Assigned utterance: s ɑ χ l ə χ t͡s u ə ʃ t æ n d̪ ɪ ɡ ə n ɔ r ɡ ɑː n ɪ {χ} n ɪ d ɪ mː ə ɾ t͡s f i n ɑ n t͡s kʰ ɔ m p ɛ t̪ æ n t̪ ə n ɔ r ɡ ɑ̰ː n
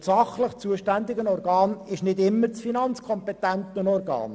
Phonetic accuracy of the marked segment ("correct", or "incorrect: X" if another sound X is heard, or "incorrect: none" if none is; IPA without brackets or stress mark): incorrect: ʃ